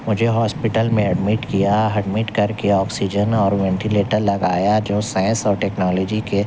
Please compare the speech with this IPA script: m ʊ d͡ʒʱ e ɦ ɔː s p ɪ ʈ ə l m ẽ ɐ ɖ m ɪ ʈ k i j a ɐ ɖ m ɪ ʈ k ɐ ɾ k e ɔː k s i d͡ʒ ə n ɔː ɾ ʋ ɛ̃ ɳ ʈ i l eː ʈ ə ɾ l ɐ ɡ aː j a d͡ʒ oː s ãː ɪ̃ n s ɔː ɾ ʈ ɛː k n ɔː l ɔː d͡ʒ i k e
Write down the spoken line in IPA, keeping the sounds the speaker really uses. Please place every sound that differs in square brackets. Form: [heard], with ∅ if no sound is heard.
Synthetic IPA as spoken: m ʊ d͡ʒʱ e ɦ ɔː s p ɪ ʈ ə l m ẽ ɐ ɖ m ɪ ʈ k i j a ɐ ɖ m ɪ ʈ k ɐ ɾ k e ɔː k s i d͡ʒ ə n ɔː ɾ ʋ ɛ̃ ɳ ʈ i l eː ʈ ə ɾ l ɐ ɡ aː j a d͡ʒ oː s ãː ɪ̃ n s ɔː ɾ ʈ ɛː k n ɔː l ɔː d͡ʒ i k e